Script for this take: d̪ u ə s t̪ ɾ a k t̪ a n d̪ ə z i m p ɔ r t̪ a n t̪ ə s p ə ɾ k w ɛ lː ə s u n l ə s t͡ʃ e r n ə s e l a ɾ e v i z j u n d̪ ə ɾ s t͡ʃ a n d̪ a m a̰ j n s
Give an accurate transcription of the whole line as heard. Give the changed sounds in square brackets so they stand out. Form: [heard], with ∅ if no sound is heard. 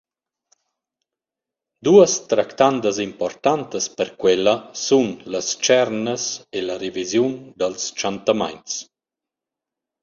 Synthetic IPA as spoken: d̪ u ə s t̪ ɾ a k t̪ a n d̪ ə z i m p ɔ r t̪ a n t̪ ə s p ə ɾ k w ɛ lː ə s u n l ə s t͡ʃ [ɛ] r n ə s e l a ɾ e v i z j u n d̪ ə [l] s t͡ʃ a n [t̪] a m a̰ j n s